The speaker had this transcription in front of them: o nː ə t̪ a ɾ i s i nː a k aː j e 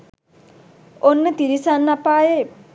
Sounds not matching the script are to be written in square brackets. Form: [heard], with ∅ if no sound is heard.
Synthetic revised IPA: o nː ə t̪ [i] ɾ i s [a] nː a [p] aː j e